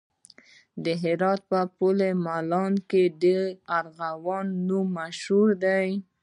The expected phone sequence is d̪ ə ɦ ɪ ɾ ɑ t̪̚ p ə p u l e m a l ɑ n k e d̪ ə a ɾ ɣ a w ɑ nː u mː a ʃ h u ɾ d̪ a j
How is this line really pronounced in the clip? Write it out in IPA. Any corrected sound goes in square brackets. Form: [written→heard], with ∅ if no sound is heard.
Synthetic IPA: d̪ ə ɦ ɪ ɾ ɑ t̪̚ p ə p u l e m a l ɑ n k e d̪ ə a ɾ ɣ a w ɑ nː u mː a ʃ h u ɾ d̪ a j